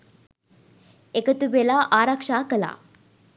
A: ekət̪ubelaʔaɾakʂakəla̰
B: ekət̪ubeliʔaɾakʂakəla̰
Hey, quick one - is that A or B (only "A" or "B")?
A